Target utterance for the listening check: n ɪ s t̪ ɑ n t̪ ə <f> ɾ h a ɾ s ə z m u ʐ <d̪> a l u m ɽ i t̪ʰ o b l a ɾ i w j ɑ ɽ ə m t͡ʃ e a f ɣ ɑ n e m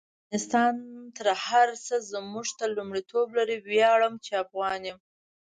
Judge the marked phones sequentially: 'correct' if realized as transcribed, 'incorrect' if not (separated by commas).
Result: incorrect, incorrect